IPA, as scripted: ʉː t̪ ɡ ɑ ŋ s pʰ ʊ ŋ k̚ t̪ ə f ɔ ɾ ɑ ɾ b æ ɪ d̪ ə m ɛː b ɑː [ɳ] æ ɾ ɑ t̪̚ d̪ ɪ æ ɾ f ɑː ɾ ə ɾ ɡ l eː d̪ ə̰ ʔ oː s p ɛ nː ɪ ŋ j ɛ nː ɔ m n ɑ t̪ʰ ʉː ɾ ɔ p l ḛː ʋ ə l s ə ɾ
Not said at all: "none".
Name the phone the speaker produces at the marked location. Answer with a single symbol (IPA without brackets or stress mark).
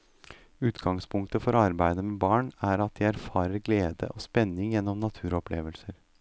ɳ